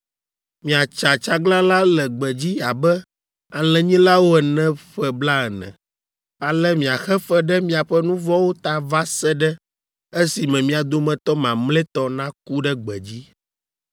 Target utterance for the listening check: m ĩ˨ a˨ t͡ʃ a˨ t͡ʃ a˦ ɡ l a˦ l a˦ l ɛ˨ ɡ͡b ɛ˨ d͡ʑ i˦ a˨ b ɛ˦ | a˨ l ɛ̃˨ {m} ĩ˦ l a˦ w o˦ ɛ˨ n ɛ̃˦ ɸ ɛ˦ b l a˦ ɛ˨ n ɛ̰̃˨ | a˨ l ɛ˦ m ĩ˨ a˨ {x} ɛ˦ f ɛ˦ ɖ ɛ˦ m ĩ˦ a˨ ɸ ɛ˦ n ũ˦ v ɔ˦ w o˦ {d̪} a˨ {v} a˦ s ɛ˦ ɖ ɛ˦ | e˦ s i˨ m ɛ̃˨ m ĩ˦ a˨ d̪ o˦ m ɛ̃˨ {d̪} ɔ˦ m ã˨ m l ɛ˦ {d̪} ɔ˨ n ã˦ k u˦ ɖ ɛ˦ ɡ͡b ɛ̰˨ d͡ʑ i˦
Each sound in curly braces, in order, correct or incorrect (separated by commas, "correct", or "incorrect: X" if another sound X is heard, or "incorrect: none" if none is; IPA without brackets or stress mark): incorrect: ɲ, correct, incorrect: t̪, correct, incorrect: t̪, incorrect: t̪